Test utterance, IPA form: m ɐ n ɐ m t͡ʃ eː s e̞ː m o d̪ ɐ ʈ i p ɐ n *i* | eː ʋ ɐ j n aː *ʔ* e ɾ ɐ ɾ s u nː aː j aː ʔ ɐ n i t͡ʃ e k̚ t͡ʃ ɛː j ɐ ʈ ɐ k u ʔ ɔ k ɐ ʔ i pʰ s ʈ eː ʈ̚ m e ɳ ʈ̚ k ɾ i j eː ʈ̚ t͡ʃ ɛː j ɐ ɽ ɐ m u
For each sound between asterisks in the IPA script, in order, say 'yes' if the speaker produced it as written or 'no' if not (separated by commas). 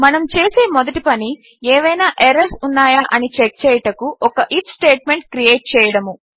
yes, yes